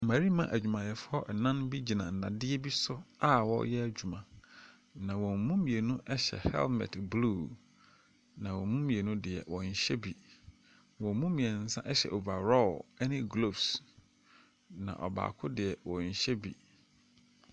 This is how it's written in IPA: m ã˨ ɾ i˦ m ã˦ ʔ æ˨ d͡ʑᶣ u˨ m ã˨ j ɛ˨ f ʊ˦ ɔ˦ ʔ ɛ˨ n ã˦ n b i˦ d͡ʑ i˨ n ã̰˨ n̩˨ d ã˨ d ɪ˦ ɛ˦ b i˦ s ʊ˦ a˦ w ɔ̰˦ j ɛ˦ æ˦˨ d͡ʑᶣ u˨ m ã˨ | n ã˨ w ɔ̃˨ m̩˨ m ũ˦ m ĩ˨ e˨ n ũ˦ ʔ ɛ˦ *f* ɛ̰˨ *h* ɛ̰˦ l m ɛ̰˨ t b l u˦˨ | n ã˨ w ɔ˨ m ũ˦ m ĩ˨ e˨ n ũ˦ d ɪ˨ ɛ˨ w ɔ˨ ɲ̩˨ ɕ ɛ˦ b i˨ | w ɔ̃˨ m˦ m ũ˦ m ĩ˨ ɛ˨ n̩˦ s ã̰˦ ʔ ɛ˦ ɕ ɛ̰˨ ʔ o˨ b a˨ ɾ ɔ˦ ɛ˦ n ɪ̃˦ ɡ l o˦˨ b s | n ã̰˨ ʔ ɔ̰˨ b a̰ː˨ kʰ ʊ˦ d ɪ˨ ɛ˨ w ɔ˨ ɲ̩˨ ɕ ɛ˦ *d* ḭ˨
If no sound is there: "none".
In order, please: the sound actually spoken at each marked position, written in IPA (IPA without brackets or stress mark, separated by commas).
ɕ, h, b